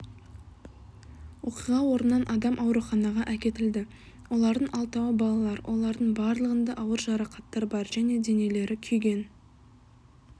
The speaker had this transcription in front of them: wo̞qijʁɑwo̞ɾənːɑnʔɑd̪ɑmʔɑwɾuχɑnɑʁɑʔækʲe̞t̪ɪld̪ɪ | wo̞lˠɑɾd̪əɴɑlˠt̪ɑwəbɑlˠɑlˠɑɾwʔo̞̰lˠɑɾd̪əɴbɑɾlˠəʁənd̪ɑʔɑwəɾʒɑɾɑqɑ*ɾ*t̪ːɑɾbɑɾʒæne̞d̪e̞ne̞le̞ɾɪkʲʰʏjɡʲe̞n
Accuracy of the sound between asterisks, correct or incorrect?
incorrect: none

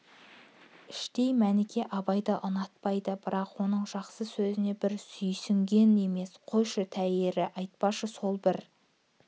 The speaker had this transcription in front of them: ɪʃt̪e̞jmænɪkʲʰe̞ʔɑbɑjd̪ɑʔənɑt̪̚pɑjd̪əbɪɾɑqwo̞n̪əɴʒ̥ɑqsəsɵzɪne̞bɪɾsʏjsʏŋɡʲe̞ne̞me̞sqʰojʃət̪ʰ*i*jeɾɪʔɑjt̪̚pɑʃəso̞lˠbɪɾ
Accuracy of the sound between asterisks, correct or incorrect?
incorrect: æ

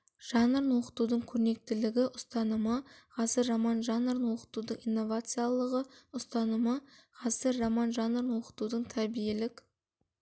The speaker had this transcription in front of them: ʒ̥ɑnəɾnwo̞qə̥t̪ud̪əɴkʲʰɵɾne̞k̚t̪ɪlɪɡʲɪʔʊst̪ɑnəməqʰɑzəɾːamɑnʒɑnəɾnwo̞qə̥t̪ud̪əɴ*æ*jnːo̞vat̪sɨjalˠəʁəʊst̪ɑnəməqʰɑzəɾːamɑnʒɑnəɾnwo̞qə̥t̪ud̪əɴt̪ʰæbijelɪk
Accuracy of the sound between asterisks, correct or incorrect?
incorrect: i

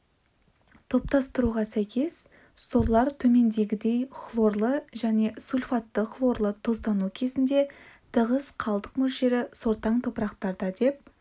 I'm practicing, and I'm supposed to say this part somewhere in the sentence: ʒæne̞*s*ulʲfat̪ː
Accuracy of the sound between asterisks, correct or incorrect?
correct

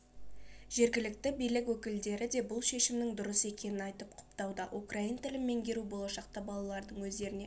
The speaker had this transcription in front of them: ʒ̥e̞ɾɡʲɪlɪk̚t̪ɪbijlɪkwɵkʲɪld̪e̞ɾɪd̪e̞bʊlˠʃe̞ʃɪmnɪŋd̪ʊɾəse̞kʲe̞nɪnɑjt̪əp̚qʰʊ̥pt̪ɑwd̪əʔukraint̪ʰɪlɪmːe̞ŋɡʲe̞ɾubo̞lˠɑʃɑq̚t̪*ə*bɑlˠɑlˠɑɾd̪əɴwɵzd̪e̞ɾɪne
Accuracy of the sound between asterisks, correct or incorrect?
incorrect: ɑ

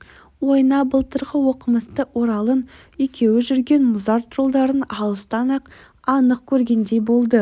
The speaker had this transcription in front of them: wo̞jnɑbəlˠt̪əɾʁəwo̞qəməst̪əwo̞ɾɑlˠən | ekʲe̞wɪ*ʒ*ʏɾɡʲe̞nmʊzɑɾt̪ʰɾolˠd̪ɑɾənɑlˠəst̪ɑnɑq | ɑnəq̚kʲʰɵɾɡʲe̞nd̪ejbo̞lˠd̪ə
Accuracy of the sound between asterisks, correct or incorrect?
correct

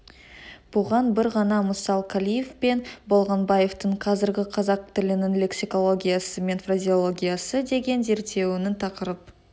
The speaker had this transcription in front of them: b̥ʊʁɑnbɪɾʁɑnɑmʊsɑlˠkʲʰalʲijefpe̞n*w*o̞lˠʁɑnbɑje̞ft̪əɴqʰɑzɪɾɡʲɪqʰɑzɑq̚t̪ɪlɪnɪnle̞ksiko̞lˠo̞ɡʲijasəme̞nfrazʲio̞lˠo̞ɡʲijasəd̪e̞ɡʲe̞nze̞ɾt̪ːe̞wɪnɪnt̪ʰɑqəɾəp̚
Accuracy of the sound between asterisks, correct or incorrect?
incorrect: b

